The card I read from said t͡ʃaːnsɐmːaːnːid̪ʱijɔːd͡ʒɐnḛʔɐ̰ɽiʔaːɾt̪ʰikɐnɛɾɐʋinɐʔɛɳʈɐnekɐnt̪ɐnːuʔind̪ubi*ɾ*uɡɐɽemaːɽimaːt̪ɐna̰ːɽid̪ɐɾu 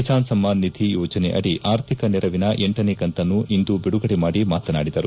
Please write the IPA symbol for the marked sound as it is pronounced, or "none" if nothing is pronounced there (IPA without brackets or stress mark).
ɽ